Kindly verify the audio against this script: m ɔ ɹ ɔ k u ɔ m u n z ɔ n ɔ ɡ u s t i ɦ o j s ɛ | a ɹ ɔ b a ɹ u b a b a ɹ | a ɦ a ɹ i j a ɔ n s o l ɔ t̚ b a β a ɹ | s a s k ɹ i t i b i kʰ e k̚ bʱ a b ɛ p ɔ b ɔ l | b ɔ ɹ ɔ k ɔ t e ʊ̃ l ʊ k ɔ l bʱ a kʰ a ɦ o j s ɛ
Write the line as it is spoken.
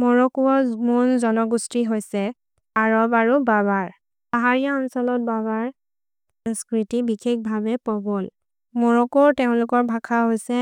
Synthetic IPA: m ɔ ɹ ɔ k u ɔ m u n z ɔ n ɔ ɡ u s t i ɦ o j s ɛ | a ɹ ɔ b a ɹ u b a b a ɹ | a ɦ a ɹ i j a ɔ n s ɔ l ɔ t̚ b a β a ɹ | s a s k ɹ i t i b i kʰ e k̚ bʱ a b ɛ p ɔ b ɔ l | m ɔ ɹ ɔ k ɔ t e ʊ̃ l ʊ k ɔ ɹ bʱ a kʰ a ɦ o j s ɛ